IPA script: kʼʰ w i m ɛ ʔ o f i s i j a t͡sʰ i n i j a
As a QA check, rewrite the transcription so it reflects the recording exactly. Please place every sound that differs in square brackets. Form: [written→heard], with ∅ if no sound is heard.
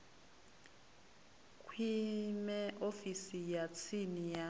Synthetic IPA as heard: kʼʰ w i m ɛ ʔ o f i s i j a t͡sʰ i n i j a

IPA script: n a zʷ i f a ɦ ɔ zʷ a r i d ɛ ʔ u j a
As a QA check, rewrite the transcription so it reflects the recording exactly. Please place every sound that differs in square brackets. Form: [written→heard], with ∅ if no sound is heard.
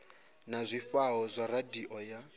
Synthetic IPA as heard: n a zʷ i f a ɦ ɔ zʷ a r [i→a] d [ɛ→i] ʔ [u→ɔ] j a

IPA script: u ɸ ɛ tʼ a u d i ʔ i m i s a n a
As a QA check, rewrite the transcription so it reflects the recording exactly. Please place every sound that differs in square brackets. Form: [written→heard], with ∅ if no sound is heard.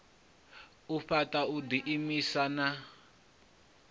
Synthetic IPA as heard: u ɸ [ɛ→a] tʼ a u d i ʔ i m i s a n a

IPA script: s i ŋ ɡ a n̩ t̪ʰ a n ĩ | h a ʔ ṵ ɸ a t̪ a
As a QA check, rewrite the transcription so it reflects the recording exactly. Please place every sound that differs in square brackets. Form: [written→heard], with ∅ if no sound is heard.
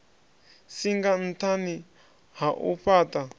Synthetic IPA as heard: s i ŋ ɡ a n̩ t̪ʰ a n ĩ | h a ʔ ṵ ɸ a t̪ a

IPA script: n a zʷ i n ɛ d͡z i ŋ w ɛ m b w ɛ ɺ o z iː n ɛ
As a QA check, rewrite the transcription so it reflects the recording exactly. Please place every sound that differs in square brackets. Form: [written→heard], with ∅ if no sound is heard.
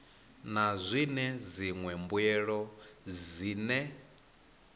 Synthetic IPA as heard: n a zʷ i n ɛ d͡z i ŋ w ɛ m b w ɛ ɺ [o→ɔ] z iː n ɛ

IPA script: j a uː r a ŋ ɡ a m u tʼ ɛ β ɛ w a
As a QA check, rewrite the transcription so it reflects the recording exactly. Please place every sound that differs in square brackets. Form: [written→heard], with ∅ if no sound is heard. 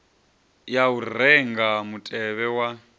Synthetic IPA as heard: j a [uː→u] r [a→ɛ] ŋ ɡ a m u tʼ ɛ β ɛ w a

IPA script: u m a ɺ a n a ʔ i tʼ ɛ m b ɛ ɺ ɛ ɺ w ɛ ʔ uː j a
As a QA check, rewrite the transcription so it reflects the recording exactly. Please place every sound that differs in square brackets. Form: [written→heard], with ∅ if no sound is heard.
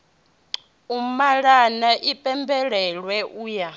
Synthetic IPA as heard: u m a ɺ a n a ʔ i [tʼ→pʼ] ɛ m b ɛ ɺ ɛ ɺ w ɛ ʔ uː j a

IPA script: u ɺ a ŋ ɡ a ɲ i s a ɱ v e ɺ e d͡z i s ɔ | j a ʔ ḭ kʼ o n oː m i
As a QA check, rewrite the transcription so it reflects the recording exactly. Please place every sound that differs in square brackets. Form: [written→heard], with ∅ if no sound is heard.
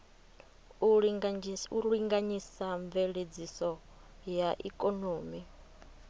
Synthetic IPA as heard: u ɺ [a→i] ŋ ɡ a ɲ i s a ɱ v e ɺ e d͡z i s ɔ | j a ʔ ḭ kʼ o n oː m i

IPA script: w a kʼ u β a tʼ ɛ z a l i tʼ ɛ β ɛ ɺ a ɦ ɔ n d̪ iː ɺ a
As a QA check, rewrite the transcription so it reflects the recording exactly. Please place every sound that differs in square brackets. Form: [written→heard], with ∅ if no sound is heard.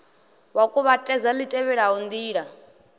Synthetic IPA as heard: w a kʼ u β a tʼ ɛ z a l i tʼ ɛ β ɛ ɺ a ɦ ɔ n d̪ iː ɺ a

